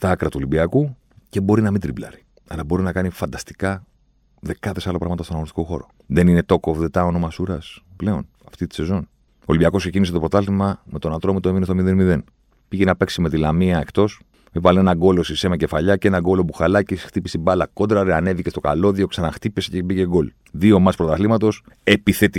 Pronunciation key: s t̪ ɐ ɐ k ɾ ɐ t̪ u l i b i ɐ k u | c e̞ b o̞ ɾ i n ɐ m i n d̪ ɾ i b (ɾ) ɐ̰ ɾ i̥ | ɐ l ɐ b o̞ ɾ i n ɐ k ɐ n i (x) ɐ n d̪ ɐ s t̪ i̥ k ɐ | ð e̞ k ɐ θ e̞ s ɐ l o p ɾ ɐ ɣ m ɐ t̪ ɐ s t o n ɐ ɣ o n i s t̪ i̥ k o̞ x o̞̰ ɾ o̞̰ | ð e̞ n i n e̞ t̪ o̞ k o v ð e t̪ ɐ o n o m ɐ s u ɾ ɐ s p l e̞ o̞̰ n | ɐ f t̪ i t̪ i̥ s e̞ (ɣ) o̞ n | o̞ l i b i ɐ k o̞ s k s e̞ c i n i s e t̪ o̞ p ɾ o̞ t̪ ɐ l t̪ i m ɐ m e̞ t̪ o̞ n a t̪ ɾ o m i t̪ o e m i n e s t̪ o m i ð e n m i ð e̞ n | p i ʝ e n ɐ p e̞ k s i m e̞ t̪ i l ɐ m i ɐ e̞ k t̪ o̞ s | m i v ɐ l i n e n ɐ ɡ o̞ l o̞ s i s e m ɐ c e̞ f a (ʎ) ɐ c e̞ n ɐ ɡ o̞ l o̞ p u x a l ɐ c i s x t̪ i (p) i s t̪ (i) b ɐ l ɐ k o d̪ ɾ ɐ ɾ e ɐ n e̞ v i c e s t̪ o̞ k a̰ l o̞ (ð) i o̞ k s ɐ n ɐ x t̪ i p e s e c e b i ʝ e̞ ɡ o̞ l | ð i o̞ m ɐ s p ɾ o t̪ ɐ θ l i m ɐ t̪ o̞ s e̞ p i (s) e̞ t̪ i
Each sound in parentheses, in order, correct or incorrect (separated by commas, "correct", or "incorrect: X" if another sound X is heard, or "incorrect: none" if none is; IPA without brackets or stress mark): incorrect: l, incorrect: f, incorrect: z, correct, correct, correct, correct, incorrect: θ